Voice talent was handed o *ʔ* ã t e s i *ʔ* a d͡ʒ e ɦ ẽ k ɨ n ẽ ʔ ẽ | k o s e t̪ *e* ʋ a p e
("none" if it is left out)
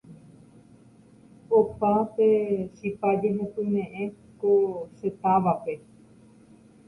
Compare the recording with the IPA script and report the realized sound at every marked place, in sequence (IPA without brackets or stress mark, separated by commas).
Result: p, p, a